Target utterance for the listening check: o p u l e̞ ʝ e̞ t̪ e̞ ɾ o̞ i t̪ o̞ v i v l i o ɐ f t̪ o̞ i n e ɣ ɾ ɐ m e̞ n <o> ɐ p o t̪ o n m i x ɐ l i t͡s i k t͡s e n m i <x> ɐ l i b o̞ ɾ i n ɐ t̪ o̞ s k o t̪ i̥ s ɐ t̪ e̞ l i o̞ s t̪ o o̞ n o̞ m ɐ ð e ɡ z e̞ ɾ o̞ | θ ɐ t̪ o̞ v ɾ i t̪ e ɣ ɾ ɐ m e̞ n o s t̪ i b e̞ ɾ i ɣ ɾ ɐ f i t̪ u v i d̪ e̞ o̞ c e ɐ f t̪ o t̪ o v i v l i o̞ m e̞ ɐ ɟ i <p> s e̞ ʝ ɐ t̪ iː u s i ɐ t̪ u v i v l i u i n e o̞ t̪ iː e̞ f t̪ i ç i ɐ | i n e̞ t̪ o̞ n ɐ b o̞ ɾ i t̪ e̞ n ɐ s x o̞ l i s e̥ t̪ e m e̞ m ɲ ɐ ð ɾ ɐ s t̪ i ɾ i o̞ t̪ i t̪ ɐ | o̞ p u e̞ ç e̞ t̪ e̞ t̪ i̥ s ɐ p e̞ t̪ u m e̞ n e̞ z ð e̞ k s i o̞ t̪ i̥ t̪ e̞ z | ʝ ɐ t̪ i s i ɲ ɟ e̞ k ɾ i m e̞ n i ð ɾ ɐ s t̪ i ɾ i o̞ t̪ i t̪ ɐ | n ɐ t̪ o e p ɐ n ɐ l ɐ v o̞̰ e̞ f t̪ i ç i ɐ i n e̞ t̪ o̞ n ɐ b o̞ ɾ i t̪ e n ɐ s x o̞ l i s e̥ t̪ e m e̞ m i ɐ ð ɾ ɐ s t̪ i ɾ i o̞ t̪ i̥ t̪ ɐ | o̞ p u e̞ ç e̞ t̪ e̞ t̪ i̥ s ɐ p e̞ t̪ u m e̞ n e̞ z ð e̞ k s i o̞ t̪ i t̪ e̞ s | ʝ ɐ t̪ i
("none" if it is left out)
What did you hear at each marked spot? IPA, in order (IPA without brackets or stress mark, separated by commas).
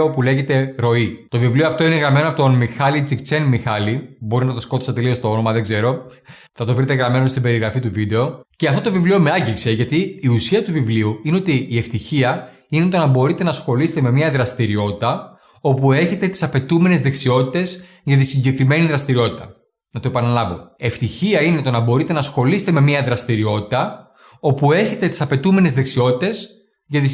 o, x, k